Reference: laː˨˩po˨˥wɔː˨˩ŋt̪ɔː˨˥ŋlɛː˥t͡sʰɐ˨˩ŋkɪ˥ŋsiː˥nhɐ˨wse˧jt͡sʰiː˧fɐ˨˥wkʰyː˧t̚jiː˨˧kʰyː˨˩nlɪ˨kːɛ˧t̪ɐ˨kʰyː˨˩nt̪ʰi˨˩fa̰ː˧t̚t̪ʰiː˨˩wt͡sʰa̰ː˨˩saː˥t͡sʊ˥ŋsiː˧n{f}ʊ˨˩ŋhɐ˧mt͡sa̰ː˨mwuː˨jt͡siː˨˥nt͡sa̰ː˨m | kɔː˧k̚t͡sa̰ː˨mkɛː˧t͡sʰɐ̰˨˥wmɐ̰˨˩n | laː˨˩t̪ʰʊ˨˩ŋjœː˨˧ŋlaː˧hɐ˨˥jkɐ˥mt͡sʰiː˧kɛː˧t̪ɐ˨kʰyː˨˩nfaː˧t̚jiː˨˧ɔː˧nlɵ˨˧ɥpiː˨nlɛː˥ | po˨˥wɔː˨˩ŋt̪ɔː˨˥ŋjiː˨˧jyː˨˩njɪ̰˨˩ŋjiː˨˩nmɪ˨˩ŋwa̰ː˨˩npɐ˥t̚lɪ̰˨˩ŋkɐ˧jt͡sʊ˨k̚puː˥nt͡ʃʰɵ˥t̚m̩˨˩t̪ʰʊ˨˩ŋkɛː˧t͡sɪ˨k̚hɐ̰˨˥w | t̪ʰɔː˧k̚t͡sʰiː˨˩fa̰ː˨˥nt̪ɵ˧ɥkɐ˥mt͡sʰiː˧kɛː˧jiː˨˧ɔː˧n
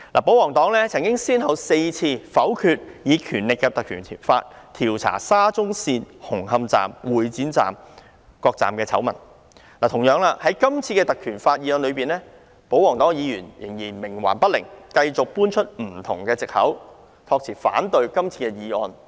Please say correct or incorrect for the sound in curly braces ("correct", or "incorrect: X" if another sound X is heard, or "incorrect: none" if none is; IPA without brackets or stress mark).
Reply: incorrect: h